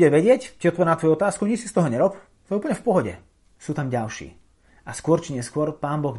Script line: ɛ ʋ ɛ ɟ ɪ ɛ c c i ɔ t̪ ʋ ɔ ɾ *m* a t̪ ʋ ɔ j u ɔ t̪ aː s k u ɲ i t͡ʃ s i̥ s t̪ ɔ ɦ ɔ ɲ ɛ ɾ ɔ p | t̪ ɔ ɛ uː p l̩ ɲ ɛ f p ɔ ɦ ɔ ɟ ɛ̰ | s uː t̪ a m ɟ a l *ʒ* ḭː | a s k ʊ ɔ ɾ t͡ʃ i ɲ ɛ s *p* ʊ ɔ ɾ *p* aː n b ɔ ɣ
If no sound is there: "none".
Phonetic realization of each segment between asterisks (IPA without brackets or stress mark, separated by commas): n, ʃ, k, p